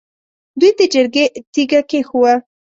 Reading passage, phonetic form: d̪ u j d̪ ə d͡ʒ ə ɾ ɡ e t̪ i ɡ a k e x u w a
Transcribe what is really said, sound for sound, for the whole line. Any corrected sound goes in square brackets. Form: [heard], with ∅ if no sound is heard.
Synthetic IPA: d̪ u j d̪ ə d͡ʒ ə ɾ ɡ e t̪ i ɡ a k e x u w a